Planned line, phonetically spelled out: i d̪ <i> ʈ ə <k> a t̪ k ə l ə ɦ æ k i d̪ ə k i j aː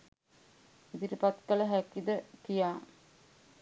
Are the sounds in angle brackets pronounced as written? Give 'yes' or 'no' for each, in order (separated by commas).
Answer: yes, no